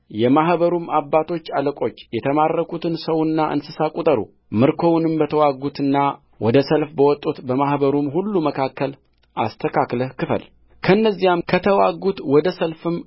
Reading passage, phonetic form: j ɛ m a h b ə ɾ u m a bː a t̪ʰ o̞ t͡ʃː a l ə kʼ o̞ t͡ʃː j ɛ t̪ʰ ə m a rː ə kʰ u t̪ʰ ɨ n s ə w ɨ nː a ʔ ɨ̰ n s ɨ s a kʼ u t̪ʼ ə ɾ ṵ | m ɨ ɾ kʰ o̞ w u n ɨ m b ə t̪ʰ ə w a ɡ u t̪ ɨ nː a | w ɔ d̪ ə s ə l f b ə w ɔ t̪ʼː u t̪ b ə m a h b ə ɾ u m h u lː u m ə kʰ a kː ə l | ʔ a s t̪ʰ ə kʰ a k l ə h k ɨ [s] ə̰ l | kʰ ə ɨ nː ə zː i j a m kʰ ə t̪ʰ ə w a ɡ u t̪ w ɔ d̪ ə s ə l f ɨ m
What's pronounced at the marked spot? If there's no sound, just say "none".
f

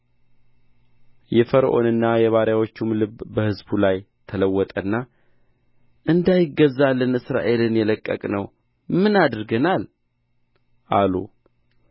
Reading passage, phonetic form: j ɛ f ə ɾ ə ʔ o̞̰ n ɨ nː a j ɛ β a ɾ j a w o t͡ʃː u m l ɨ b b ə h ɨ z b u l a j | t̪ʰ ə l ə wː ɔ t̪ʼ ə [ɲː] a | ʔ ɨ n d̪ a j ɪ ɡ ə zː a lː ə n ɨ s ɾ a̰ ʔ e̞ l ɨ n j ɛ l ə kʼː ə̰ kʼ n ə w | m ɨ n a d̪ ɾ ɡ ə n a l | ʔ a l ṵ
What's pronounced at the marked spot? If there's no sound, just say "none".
nː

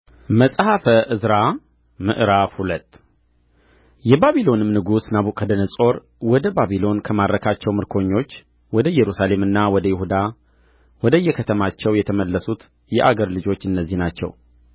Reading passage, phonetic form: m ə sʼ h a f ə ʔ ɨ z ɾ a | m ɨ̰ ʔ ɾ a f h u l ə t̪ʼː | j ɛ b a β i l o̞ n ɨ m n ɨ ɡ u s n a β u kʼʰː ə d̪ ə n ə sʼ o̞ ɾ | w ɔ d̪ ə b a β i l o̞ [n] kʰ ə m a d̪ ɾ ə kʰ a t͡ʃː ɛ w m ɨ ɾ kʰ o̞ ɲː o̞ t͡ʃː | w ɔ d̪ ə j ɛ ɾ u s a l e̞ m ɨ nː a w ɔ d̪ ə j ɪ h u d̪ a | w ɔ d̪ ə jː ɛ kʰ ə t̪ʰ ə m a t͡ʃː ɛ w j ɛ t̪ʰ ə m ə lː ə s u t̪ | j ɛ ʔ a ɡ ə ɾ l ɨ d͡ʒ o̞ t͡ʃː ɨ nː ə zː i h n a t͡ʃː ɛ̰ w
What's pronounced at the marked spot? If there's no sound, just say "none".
n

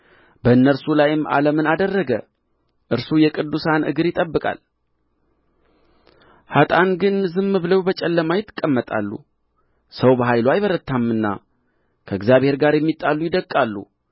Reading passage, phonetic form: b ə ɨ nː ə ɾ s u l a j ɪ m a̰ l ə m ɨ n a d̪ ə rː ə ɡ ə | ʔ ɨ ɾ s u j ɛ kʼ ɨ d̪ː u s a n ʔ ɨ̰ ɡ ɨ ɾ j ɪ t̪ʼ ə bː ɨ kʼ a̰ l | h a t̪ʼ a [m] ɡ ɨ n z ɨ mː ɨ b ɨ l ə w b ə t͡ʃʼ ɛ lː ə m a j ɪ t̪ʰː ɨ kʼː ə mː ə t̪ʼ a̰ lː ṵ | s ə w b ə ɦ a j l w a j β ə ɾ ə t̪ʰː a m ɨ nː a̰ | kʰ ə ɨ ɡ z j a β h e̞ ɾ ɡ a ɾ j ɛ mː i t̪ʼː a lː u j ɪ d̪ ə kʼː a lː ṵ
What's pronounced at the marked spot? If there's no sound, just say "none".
n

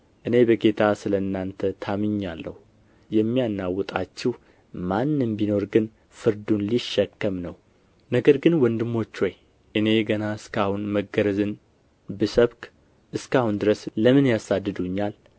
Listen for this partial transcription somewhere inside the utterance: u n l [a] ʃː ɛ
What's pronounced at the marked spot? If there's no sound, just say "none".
i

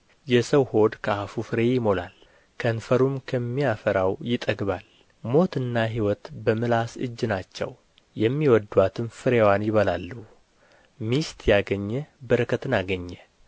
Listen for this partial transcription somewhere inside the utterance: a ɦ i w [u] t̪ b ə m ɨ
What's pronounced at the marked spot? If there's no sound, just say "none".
ɔ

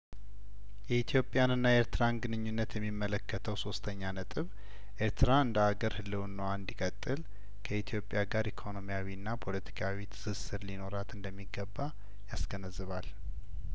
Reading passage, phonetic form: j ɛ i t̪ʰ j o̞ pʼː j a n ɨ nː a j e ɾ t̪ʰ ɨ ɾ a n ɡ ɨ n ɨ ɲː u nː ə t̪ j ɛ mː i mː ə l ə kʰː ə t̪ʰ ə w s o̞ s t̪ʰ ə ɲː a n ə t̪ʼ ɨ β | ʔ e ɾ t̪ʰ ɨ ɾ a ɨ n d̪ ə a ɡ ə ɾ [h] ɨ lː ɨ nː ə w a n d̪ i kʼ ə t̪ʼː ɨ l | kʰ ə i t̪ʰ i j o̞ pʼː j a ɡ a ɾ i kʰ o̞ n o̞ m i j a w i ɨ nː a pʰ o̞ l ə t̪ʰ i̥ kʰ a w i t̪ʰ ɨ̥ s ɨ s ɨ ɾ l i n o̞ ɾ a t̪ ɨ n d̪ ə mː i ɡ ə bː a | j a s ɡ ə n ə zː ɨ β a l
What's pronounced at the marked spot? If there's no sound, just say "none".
h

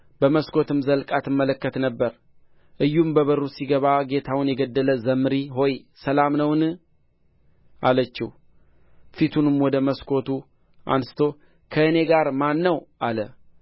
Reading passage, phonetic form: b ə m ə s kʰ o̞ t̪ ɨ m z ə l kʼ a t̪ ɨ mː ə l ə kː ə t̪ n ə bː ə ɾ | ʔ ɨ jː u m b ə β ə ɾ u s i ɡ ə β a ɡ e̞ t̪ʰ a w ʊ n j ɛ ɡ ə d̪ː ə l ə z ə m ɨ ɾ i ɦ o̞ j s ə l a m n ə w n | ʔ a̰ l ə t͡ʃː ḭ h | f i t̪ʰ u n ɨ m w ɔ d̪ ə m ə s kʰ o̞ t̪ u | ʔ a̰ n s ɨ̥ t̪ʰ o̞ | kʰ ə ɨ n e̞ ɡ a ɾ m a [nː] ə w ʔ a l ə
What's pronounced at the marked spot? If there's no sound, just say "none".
nː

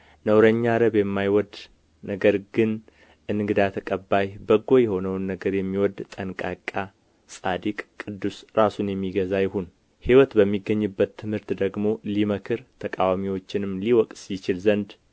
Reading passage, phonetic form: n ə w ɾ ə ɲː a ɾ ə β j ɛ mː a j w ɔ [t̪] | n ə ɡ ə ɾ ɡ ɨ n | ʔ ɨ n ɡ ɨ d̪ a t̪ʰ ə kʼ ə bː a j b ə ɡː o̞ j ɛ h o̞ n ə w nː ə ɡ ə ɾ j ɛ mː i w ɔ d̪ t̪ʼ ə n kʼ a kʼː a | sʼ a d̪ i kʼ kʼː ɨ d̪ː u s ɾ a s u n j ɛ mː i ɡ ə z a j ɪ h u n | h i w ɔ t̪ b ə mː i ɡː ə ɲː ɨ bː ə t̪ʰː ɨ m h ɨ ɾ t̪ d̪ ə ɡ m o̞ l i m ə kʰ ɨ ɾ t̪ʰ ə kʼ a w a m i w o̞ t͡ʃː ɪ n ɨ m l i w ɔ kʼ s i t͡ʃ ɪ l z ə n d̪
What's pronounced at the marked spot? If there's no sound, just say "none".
d̪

